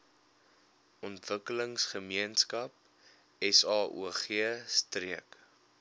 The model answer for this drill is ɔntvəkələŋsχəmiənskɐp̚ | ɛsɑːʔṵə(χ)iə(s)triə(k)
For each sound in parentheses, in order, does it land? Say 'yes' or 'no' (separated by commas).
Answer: yes, yes, yes